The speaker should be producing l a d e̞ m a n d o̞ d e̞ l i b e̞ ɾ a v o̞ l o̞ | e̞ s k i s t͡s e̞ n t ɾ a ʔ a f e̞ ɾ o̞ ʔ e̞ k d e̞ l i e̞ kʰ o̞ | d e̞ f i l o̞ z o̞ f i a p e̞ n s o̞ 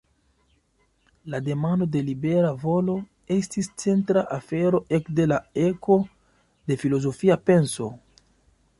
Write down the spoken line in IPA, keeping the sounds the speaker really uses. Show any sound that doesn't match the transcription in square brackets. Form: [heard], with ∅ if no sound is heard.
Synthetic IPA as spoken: l a d e̞ m a n d o̞ d e̞ l i b e̞ ɾ a v o̞ l o̞ | e̞ s [t] i s t͡s e̞ n t ɾ a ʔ a f e̞ ɾ o̞ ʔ e̞ k d e̞ l [a] e̞ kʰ o̞ | d e̞ f i l o̞ z o̞ f i a p e̞ n s o̞